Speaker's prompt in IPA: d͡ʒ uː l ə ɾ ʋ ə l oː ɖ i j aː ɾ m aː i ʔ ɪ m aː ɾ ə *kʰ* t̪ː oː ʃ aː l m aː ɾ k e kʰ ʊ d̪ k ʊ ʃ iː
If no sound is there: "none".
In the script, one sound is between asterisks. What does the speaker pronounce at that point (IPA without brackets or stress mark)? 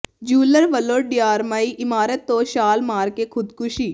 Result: none